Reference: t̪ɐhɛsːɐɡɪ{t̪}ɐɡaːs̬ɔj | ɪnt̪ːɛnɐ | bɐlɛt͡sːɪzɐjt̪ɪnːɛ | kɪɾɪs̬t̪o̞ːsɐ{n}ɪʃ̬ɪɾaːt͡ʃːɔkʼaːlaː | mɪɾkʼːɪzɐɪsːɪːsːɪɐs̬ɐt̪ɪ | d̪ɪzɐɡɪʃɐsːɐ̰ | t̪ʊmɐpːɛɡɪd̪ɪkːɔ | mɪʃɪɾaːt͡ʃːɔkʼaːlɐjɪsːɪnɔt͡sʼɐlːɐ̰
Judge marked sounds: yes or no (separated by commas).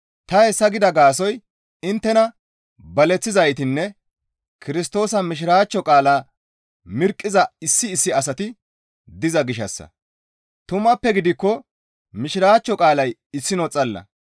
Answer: no, no